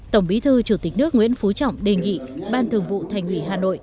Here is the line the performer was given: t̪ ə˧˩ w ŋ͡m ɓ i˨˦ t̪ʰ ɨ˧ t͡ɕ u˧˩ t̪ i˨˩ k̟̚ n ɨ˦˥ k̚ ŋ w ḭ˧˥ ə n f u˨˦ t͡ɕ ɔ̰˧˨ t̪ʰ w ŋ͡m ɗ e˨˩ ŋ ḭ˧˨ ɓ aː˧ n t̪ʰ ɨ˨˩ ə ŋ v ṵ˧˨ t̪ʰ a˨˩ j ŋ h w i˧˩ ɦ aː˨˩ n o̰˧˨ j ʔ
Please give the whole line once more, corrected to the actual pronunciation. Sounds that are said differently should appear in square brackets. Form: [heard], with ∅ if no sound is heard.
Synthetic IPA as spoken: t̪ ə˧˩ w ŋ͡m ɓ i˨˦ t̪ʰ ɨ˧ t͡ɕ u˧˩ t̪ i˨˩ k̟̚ n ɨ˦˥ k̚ ŋ w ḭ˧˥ ə n f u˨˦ t͡ɕ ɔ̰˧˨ [∅] w ŋ͡m ɗ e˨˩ ŋ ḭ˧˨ ɓ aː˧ n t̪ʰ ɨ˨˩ ə ŋ v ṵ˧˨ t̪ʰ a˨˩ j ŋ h w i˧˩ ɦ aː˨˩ n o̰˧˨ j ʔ